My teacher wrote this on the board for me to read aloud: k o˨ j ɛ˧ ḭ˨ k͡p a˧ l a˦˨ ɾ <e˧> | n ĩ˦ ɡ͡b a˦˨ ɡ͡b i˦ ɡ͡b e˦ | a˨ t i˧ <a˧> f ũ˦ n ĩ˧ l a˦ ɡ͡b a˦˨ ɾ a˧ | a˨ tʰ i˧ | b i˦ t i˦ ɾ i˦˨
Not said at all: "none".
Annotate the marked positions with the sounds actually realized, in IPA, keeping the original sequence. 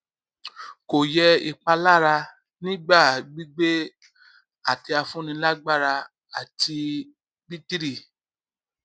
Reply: a˧, a˧

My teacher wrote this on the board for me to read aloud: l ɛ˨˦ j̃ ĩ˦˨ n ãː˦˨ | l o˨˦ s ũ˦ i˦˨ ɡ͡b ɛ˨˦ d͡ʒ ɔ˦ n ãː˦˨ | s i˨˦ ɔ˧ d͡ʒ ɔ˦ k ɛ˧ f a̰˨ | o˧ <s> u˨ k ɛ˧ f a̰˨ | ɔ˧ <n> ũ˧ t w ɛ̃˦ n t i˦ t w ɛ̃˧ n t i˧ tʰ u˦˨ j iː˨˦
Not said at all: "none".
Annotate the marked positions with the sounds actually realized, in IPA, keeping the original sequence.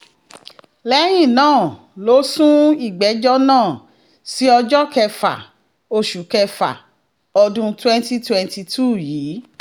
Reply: ʃ, d

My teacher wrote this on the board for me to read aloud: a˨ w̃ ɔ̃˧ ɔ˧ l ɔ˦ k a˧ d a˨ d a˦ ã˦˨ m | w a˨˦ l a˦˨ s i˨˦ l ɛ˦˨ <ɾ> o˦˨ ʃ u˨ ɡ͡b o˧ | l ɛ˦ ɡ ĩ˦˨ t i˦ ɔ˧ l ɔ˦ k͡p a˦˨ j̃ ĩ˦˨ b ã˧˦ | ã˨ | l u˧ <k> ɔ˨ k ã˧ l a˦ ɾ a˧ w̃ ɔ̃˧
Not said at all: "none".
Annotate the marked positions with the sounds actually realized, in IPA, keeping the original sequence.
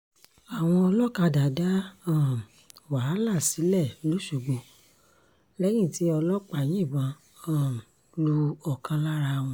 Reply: l, none

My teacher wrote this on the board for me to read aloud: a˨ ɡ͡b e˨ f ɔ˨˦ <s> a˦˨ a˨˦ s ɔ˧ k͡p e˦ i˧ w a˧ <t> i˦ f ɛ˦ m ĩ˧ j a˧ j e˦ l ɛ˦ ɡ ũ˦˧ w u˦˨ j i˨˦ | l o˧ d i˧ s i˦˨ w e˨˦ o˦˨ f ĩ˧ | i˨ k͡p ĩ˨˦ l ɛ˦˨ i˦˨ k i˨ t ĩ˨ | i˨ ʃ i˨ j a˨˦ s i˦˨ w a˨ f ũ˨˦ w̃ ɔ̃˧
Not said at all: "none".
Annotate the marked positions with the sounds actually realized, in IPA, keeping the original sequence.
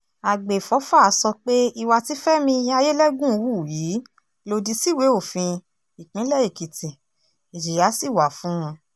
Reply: f, t

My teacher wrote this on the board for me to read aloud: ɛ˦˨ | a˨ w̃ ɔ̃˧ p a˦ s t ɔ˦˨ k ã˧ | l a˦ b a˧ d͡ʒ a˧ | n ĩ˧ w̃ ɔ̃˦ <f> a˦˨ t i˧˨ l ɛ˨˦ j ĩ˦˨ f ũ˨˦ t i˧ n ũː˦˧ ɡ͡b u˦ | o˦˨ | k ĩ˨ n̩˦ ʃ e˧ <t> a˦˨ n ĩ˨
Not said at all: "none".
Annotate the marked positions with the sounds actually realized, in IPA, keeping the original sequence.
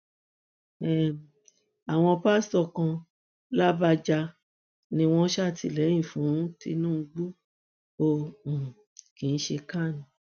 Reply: ʃ, k

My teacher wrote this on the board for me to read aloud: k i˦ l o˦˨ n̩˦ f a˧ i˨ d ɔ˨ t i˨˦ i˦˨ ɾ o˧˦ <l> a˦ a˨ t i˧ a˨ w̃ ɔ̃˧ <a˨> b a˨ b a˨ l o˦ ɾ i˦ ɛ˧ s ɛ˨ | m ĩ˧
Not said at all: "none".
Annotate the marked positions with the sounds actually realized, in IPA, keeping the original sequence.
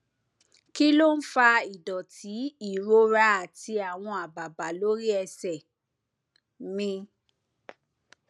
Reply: ɾ, a˨

